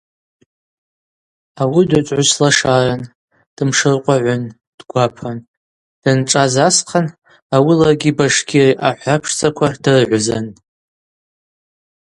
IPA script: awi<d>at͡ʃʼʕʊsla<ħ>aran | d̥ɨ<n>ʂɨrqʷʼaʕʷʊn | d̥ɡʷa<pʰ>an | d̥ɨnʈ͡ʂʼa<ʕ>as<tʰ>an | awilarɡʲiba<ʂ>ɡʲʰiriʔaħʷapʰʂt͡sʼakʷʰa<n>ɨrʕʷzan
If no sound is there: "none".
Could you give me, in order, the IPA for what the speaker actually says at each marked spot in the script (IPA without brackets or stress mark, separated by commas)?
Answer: d, ʂ, m, pʰ, z, qʰ, ʂ, d